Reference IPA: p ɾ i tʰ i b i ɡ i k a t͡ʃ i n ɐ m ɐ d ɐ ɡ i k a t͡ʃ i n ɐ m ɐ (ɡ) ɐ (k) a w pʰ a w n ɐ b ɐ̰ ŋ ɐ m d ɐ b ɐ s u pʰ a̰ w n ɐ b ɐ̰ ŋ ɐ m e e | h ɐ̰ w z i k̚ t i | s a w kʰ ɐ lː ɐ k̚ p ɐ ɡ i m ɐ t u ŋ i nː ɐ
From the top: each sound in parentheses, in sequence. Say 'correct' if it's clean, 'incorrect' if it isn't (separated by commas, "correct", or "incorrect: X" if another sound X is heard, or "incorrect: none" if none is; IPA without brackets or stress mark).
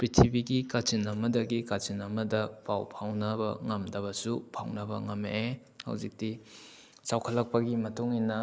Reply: incorrect: d, incorrect: p